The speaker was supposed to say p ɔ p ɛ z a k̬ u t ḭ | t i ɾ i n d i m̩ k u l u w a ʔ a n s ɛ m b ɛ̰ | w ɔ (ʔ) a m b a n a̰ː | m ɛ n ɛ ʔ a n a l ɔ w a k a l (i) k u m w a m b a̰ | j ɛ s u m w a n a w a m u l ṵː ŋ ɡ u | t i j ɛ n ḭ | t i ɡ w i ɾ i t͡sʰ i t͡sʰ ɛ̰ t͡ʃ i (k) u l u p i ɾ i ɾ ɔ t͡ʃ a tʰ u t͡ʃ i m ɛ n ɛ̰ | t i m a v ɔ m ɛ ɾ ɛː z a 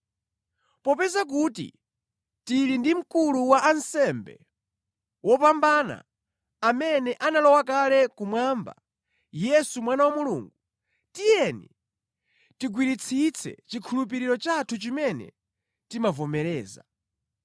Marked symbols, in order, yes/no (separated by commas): no, no, no